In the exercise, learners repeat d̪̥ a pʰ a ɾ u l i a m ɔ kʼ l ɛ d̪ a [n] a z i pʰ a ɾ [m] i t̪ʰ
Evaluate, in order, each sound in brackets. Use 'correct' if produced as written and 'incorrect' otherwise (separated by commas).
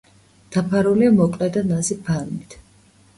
correct, correct